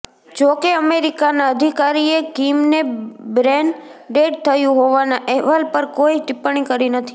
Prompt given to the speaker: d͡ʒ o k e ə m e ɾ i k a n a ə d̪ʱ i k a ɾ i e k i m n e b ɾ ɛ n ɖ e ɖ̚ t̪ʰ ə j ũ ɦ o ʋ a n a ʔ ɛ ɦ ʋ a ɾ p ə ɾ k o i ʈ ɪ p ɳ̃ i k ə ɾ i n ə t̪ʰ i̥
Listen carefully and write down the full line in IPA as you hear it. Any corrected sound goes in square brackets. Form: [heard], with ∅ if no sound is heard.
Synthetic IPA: d͡ʒ o k e ə m e ɾ i k a n a ə d̪ʱ i k a ɾ i e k i m n e b ɾ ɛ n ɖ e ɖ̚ t̪ʰ ə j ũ ɦ o ʋ a n a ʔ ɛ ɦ ʋ a [l] p ə ɾ k o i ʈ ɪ p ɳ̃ i k ə ɾ i n ə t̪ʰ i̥